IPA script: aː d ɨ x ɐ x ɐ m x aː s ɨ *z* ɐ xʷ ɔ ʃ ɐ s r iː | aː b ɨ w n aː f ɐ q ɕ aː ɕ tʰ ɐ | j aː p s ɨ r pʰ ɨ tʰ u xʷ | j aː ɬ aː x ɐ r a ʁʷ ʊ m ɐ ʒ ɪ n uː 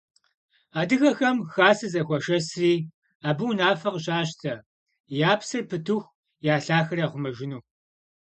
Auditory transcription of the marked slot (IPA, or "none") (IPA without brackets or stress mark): z